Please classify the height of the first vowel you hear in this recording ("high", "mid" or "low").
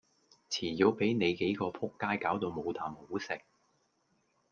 high